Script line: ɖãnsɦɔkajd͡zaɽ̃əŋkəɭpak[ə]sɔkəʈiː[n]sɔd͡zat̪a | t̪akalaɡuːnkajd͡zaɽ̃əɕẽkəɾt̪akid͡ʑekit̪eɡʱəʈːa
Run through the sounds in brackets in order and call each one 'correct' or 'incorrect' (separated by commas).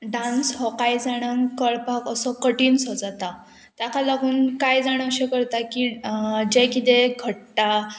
correct, correct